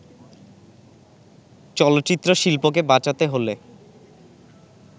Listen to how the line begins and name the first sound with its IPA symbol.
t͡ɕ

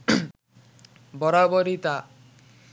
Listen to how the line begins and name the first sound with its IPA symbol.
b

